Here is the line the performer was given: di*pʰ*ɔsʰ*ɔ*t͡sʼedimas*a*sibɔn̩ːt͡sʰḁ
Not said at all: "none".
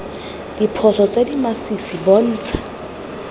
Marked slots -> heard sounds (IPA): pʰ, ɔ, i

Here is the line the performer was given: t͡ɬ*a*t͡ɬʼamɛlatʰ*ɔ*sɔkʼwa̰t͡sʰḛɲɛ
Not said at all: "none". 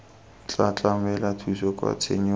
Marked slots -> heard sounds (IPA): a, u

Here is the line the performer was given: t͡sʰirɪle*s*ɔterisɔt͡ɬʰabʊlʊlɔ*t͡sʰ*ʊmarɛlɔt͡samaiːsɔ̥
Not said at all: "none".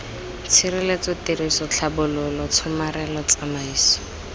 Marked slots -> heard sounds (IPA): t͡s, t͡sʰ

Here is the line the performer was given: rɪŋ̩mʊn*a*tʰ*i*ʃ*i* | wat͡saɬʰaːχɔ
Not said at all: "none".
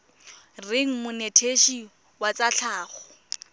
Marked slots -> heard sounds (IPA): e, e, i

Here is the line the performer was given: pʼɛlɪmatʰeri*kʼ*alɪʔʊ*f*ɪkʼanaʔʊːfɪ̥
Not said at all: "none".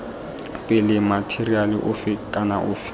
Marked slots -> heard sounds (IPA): none, f

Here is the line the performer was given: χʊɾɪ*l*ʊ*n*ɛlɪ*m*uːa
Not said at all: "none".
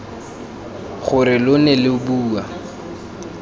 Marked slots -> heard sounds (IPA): l, n, b

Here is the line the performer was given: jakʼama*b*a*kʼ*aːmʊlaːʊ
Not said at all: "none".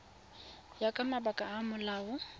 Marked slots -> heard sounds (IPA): b, kʼ

